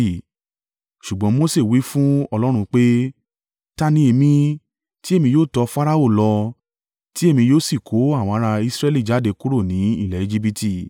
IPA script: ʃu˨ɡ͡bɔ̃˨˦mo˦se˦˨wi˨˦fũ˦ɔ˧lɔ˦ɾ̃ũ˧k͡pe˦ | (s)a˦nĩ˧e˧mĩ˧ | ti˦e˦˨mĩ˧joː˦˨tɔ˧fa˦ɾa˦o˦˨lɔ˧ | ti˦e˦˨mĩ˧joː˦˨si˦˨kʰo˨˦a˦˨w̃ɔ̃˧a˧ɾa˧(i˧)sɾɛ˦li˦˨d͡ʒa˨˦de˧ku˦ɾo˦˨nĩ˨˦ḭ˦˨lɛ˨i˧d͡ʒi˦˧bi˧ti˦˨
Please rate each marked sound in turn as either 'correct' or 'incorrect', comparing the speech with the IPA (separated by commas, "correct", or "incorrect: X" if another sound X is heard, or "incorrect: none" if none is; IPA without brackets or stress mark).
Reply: incorrect: t, correct